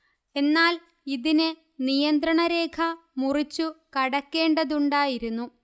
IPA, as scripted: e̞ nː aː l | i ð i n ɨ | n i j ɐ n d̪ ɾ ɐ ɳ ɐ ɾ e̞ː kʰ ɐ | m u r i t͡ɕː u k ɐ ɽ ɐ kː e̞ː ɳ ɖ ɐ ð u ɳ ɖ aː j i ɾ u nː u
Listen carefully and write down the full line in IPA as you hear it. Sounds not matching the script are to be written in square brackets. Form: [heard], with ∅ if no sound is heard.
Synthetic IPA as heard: e̞ nː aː l | i ð i n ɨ | n i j ɐ n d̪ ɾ ɐ ɳ ɐ ɾ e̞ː kʰ ɐ | m u r i t͡ɕː u k ɐ ɽ ɐ kː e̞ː ɳ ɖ ɐ ð u ɳ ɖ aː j i ɾ u nː u